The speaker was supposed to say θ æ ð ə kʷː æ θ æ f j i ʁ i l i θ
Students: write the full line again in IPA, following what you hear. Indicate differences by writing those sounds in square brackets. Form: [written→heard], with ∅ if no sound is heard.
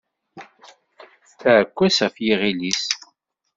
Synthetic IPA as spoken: θ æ [ð→ʕ] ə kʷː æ [θ→s] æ f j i ʁ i l i [θ→s]